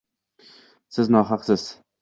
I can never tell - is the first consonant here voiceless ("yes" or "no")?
yes